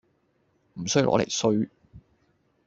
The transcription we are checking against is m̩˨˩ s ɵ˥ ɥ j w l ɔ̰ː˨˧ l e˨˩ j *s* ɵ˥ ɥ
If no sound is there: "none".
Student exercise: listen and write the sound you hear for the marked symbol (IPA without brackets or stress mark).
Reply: s